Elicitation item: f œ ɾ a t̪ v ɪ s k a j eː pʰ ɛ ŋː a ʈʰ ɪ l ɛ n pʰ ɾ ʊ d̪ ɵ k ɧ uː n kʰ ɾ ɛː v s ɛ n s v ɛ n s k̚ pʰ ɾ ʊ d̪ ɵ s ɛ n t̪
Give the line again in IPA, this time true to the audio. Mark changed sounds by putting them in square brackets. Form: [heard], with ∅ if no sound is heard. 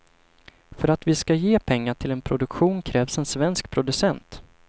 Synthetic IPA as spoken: f œ ɾ a t̪ v ɪ s k a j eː pʰ ɛ ŋː a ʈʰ ɪ l ɛ n pʰ ɾ ʊ d̪ ɵ k ɧ uː n kʰ ɾ ɛː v s ɛ n s v ɛ n s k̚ pʰ ɾ ʊ d̪ ɵ s ɛ n t̪